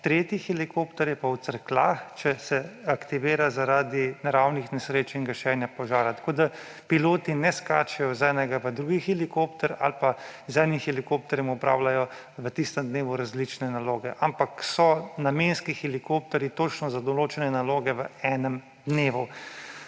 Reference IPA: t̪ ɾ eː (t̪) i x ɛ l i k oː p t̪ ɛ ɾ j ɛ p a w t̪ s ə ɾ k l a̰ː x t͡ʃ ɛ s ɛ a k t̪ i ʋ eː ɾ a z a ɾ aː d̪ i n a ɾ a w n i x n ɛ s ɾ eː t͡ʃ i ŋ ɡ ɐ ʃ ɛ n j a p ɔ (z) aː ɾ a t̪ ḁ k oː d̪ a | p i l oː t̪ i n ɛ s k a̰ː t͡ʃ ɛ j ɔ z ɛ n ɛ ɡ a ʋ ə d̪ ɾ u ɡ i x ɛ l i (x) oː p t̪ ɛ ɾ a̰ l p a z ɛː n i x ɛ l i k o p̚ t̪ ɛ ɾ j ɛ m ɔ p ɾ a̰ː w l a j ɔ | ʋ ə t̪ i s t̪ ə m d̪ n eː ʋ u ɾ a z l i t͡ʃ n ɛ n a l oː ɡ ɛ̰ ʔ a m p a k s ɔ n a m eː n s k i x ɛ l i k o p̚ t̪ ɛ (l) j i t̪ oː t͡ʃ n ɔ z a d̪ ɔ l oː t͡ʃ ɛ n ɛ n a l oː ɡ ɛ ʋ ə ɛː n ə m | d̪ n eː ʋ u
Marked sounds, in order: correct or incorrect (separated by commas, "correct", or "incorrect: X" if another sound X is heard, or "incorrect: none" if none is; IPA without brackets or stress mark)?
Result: correct, incorrect: ʒ, incorrect: k, incorrect: ɾ